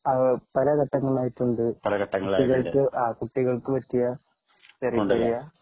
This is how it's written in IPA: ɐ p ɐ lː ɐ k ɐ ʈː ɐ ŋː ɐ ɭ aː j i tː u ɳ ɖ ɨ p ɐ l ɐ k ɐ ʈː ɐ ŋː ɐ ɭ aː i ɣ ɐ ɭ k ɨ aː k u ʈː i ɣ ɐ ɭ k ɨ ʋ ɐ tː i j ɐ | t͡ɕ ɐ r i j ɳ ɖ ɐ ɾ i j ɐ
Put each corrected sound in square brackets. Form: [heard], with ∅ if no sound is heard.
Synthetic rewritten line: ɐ p ɐ [l] ɐ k ɐ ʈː ɐ ŋː ɐ ɭ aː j i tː u ɳ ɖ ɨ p ɐ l ɐ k ɐ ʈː ɐ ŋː ɐ ɭ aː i ɣ ɐ ɭ k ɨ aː k u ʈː i ɣ ɐ ɭ k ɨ ʋ ɐ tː i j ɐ | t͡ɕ ɐ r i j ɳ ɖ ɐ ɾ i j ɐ